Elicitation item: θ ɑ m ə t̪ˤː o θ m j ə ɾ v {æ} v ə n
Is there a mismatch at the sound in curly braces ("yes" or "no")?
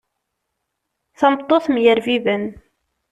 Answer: yes